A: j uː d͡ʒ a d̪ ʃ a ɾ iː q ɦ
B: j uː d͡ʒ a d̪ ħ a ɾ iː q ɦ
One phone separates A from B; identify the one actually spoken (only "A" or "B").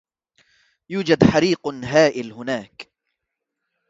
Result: B